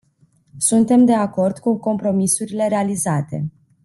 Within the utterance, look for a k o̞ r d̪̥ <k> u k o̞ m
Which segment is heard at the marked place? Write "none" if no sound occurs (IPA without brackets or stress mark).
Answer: k